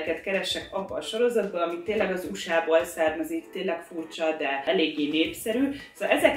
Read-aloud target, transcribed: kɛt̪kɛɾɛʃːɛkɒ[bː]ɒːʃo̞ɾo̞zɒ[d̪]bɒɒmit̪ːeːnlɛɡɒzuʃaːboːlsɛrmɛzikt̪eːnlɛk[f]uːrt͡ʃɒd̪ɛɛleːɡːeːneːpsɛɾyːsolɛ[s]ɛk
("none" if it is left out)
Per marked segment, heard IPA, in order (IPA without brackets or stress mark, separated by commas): bː, d̪, f, z